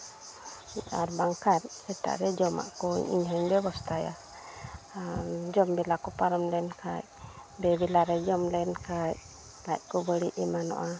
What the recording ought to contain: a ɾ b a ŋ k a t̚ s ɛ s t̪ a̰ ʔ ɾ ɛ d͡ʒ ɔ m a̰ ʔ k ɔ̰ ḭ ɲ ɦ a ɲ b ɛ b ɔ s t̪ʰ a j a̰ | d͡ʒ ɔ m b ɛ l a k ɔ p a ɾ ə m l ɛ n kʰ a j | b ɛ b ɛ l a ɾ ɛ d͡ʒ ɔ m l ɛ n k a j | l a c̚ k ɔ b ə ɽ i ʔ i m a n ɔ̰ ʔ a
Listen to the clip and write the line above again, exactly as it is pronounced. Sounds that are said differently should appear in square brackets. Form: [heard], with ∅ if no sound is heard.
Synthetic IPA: a ɾ b a ŋ k a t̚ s ɛ [∅] t̪ a̰ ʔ ɾ ɛ d͡ʒ ɔ m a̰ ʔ k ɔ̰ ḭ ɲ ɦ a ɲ b ɛ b ɔ s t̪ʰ a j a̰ | d͡ʒ ɔ m b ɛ l a k ɔ p a ɾ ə m l ɛ n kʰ a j | b ɛ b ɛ l a ɾ ɛ d͡ʒ ɔ m l ɛ n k a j | l a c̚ k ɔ b ə ɽ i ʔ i m a n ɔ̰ ʔ a